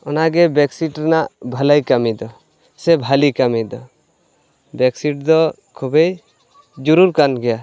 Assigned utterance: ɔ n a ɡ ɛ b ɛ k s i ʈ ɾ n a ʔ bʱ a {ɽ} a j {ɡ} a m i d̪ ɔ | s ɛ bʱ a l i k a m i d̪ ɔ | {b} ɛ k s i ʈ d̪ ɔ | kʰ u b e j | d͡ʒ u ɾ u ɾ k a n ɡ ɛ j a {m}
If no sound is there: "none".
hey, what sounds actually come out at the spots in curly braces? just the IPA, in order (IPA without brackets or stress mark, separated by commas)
l, k, b, none